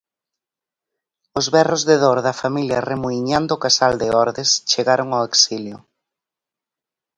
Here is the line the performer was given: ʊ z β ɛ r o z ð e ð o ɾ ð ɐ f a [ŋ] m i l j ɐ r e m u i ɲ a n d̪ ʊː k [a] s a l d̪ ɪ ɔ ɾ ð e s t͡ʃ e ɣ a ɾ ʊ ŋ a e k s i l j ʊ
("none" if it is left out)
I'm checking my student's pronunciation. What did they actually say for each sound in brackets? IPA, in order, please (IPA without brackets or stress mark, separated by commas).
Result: none, a